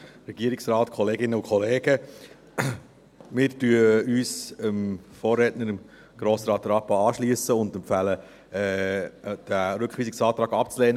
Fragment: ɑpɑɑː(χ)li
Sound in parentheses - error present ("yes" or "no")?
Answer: yes